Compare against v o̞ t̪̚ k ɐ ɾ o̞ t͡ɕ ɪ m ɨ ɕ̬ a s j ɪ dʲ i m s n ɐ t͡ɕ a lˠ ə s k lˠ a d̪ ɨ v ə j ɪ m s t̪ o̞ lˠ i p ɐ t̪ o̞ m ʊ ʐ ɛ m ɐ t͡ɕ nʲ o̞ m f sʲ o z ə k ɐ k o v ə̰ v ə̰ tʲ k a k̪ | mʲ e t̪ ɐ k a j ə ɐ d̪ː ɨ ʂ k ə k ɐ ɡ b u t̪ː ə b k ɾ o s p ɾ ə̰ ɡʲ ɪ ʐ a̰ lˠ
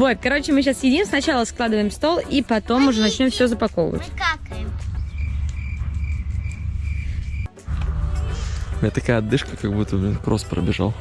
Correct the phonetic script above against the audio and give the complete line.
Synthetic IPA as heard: v o̞ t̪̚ k ɐ ɾ o̞ t͡ɕ ɪ m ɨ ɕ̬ a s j ɪ dʲ i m s n ɐ t͡ɕ a lˠ ə s k lˠ a d̪ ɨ v ə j ɪ m s t̪ o̞ lˠ i p ɐ t̪ o̞ m ʊ ʐ ɛ n ɐ t͡ɕ nʲ o̞ m f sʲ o z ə p ɐ k o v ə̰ v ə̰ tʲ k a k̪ | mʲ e t̪ ɐ k a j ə ɐ d̪ː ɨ ʂ k ə k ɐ ɡ b u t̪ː ə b k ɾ o s p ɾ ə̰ bʲ ɪ ʐ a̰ lˠ